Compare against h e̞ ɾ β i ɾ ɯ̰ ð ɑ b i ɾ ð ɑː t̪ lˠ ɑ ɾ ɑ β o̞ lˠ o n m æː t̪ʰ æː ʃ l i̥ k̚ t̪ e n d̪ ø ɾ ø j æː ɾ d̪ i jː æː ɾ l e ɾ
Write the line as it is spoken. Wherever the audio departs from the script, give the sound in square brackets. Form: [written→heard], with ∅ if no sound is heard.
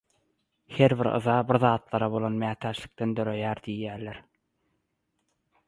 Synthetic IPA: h e̞ ɾ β i ɾ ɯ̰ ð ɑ b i ɾ ð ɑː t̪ lˠ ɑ ɾ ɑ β o̞ lˠ o n m æː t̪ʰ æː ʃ l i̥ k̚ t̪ e n d̪ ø ɾ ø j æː ɾ d̪ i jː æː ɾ l e ɾ